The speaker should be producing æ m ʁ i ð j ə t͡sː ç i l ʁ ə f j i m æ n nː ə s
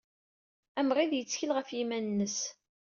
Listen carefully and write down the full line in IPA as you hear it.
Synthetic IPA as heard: æ m ʁ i ð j ə t͡sː ç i l ʁ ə f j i m æ n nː ə s